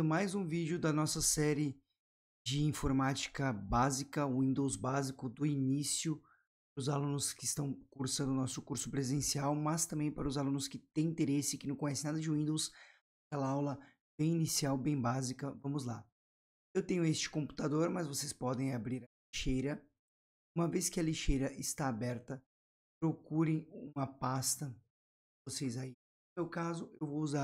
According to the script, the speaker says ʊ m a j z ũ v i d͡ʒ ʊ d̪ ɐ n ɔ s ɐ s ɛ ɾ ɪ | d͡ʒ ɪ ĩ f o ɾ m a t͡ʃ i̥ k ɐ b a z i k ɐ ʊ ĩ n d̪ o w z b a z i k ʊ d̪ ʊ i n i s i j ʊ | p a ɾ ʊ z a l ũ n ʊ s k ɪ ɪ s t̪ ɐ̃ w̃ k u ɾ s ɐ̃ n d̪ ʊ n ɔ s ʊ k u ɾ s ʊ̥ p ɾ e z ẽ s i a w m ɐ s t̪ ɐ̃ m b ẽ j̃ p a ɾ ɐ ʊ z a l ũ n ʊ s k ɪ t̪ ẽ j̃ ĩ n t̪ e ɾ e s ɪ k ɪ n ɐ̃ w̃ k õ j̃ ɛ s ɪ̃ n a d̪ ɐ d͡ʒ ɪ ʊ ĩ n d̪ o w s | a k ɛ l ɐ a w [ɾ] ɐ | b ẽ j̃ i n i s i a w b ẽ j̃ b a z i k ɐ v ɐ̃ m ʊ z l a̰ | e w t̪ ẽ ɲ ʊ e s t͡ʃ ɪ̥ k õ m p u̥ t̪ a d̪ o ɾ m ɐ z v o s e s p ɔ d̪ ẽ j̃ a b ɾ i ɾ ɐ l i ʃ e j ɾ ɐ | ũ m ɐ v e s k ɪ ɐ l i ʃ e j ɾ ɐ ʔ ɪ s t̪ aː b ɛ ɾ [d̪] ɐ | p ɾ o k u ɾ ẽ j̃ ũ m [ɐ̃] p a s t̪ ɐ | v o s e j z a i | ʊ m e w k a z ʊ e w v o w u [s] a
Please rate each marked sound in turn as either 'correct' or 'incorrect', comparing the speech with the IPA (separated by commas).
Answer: incorrect, incorrect, incorrect, incorrect